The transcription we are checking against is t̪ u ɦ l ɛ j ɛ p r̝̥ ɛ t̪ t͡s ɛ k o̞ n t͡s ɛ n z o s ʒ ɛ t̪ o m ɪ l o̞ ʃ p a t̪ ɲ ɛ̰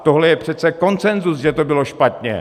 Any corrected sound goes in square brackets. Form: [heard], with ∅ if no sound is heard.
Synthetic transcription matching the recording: t̪ [o] ɦ l ɛ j ɛ p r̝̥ ɛ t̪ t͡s ɛ k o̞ n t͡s ɛ n z [u] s ʒ ɛ t̪ o [b] ɪ l o̞ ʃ p a t̪ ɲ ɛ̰